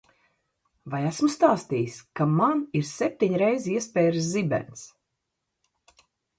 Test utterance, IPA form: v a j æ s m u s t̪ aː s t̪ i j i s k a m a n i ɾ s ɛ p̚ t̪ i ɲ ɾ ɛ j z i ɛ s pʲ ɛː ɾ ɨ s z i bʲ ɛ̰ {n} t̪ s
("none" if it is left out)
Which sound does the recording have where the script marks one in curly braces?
n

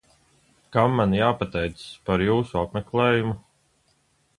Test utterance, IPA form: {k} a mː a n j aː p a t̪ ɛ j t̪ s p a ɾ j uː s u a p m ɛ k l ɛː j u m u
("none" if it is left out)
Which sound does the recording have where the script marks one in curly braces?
k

